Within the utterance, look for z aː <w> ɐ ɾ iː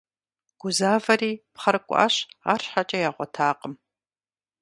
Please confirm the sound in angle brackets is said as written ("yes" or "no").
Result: no